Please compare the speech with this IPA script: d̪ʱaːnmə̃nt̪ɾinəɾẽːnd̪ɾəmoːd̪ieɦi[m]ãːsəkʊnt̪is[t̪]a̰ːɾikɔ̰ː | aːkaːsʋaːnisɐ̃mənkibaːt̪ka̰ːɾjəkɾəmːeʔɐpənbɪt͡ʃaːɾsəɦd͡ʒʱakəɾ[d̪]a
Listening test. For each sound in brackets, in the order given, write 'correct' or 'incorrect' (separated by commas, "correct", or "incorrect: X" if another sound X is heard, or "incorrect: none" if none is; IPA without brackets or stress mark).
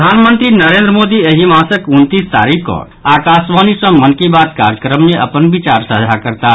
correct, correct, incorrect: t̪